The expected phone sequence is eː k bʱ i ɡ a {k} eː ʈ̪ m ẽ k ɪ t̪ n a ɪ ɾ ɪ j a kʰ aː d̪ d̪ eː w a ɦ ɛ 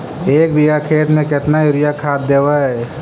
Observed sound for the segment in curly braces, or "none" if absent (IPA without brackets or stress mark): kʰ